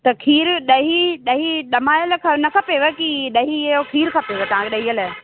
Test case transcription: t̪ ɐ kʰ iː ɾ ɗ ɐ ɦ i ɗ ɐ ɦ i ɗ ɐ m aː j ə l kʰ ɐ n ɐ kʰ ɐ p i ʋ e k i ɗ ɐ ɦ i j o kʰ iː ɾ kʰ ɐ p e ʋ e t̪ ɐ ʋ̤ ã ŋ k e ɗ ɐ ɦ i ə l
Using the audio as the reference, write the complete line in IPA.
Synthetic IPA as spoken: t̪ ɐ kʰ iː ɾ ɗ ɐ ɦ i ɗ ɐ ɦ i ɗ ɐ m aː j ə l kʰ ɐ n ɐ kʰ ɐ p e ʋ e k i ɗ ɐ ɦ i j o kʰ iː ɾ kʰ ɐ p e ʋ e t̪ ɐ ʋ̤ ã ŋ k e ɗ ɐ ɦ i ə l

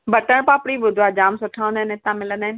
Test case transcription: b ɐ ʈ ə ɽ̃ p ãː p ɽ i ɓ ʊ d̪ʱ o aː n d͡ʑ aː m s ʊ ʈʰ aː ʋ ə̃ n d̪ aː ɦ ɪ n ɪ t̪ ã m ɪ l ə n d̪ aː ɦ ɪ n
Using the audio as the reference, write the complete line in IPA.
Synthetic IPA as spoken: b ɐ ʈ ə ɽ̃ p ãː p ɽ i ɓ ʊ d̪ʱ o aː d͡ʑ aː m s ʊ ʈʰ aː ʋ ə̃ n d̪ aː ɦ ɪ n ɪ t̪ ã m ɪ l ə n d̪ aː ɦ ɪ n

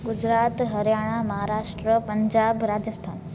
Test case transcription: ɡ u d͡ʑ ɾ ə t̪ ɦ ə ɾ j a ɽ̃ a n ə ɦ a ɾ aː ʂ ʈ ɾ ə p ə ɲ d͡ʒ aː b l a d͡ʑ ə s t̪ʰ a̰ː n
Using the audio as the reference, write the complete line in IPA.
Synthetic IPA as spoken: ɡ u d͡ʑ ɾ a t̪ ɦ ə ɾ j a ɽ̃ a m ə ɦ a ɾ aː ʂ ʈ ɾ ə p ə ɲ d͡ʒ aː b ɾ a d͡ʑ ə s t̪ʰ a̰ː n

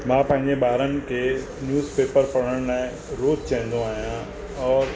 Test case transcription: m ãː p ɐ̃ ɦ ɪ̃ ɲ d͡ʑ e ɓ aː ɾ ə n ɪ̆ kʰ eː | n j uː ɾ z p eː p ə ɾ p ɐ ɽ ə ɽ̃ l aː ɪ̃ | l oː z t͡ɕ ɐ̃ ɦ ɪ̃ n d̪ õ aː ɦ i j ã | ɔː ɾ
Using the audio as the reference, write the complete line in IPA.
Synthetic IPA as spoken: m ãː p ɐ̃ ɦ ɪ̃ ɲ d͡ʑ e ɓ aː ɾ ə n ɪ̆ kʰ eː | n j uː z p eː p ə ɾ p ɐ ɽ ə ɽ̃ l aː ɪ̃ | ɾ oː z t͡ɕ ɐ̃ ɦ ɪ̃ n d̪ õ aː ɦ i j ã | ɔː ɾ

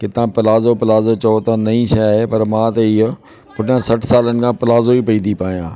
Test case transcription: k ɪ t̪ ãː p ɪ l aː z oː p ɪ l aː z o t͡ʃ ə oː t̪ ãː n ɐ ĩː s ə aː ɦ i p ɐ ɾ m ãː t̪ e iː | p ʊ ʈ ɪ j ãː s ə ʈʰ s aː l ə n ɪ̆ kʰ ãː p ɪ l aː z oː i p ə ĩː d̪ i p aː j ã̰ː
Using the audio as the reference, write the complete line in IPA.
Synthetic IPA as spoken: k ɪ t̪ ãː p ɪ l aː z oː p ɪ l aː z o t͡ʃ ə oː t̪ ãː n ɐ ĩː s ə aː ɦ e p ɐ ɾ m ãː t̪ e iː | p ʊ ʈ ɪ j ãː s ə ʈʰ s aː l ə n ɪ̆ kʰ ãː p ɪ l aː z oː i p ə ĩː d̪ i p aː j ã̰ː

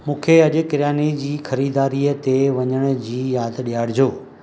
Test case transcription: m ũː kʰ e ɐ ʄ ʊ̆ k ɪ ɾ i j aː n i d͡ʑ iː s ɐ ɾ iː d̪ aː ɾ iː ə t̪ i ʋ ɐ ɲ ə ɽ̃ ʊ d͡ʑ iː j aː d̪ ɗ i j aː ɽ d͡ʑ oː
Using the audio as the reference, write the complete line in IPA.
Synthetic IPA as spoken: m ũː kʰ e ɐ ʄ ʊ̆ k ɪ ɾ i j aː n i d͡ʑ iː x ɐ ɾ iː d̪ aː ɾ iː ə t̪ e ʋ ɐ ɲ ə ɽ̃ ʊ d͡ʑ iː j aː d̪ ɗ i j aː ɽ d͡ʑ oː

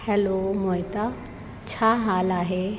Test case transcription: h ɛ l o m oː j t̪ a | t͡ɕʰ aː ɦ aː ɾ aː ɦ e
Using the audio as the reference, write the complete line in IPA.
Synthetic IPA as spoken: h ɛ l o m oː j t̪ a | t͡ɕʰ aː ɦ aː l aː ɦ e

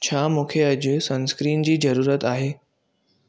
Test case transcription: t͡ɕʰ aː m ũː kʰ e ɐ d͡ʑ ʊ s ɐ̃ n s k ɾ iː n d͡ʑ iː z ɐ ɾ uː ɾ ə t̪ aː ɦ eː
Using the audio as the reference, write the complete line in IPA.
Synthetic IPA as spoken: t͡ɕʰ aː m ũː kʰ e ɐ d͡ʑ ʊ s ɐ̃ n s k ɾ iː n d͡ʑ iː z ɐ ɾ uː ɾ ə t̪ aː ɦ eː

